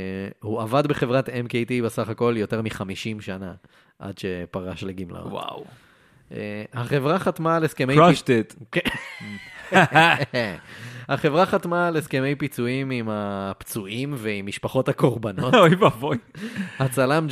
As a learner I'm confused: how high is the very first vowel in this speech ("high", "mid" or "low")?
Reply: high